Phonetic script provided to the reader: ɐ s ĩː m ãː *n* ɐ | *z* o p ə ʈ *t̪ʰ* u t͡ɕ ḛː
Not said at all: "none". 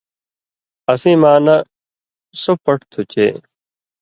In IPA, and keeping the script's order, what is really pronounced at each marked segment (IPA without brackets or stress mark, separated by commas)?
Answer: n, s, t̪ʰ